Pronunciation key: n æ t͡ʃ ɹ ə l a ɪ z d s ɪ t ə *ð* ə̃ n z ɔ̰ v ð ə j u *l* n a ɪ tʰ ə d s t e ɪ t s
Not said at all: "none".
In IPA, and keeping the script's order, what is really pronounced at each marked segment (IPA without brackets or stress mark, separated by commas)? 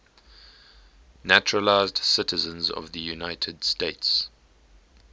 z, none